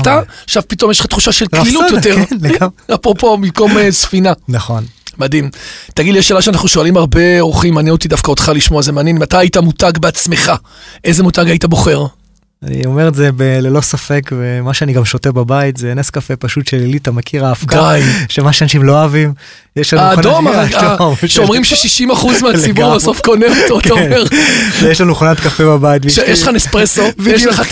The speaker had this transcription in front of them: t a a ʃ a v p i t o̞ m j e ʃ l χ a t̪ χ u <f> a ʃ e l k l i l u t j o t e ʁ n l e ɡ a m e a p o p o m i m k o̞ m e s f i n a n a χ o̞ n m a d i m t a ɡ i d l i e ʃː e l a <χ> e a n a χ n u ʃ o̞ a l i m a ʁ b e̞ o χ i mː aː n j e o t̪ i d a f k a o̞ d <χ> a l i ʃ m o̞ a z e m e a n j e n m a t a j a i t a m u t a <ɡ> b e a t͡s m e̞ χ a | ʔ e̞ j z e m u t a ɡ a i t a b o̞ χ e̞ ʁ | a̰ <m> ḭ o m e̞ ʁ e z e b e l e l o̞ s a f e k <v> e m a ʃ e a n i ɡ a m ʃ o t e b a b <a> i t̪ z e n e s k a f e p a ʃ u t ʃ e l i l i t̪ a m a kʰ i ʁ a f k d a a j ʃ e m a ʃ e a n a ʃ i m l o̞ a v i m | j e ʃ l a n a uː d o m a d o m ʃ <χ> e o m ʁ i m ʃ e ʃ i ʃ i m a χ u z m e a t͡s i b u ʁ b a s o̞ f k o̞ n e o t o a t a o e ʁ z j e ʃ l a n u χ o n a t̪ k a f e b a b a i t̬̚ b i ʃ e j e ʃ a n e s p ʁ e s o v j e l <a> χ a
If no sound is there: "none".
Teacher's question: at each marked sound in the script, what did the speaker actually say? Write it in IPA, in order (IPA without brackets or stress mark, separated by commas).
ʃ, ʃ, χ, ɡ, n, v, a, ʃ, e